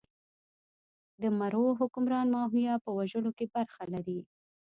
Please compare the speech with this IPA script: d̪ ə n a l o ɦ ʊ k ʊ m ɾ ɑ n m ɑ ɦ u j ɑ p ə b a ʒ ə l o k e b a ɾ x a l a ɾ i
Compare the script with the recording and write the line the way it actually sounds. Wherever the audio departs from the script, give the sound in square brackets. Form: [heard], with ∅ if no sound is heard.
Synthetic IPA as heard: d̪ ə [m] a [ɾ] o ɦ ʊ k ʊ m ɾ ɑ n m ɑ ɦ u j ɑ p ə [w] a ʒ ə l o k e b a ɾ x a l a ɾ i

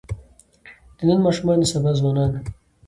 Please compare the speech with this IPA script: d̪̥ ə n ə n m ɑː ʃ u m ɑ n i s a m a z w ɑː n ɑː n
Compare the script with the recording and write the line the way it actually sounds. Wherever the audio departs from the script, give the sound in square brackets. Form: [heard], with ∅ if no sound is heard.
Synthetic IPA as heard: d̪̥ ə n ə n m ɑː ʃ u m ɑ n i s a [b] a z w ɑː n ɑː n

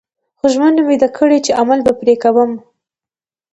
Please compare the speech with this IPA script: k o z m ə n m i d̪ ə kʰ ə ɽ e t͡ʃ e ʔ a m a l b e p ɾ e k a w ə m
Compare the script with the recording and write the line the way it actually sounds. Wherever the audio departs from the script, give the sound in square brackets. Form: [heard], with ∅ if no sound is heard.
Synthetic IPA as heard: [x] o [ʒ] m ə n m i d̪ [a] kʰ ə ɽ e t͡ʃ e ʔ a m a l b [a] p ɾ e k a w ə m

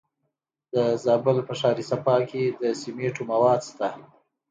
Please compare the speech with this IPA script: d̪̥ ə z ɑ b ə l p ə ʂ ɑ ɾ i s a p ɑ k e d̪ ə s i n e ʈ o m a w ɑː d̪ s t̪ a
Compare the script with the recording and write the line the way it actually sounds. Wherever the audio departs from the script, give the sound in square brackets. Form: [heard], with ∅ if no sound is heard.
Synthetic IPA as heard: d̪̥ ə z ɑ b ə l p ə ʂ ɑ ɾ i s a p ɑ k e d̪ ə s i [m] e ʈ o m a w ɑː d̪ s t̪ a

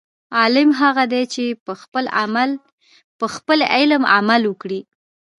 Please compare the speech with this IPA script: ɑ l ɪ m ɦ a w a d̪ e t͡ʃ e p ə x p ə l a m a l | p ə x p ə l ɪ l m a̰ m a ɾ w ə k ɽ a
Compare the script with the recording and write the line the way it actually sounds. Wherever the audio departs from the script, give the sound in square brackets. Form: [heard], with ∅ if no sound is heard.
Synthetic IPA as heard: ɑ l ɪ m ɦ a [ɣ] a d̪ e t͡ʃ e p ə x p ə l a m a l | p ə x p ə l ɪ l m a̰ m a [l] w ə k ɽ [i]

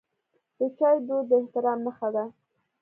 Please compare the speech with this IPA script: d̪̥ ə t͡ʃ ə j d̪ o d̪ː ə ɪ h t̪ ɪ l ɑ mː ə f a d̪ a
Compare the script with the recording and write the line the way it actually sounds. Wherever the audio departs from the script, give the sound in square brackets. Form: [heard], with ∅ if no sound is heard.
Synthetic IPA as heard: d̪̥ ə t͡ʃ [ɑ] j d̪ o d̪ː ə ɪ h t̪ ɪ [ɾ] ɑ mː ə [x] a d̪ a

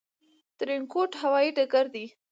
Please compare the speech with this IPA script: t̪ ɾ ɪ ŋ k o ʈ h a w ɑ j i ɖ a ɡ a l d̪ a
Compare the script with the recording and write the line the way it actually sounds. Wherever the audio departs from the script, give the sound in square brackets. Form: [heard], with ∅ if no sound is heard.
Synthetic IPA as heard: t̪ ɾ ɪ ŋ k o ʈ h a w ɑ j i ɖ a ɡ a [ɾ] d̪ [i]

